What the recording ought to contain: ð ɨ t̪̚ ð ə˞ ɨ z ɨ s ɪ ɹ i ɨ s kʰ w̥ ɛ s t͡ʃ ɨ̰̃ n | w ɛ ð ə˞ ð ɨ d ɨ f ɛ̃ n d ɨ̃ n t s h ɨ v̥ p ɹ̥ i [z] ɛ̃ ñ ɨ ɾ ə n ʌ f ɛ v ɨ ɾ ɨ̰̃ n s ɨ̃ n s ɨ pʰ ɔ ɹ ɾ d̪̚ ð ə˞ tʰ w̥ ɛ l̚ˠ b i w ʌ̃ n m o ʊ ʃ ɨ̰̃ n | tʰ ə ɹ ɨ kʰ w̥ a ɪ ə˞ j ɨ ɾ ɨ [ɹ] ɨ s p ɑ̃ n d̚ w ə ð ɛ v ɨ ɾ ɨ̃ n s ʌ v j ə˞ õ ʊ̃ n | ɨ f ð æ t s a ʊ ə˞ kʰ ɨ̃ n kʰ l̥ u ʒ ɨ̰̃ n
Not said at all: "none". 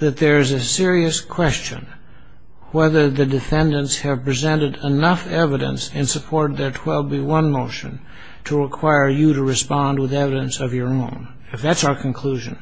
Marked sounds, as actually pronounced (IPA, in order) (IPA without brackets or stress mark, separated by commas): z, ɹ